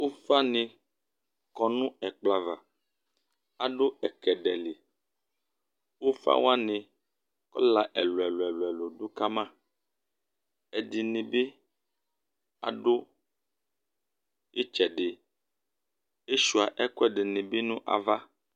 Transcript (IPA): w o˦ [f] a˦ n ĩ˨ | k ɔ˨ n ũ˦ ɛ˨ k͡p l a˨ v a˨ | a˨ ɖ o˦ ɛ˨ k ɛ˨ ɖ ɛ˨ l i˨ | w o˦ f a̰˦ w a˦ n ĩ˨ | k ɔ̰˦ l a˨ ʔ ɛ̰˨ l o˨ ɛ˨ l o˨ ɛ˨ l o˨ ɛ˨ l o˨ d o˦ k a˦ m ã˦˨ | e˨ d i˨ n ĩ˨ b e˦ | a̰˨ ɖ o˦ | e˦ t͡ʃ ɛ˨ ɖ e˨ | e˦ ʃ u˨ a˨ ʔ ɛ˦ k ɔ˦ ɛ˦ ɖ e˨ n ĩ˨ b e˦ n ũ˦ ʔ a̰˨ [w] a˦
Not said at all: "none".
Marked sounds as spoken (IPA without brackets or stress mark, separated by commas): f, v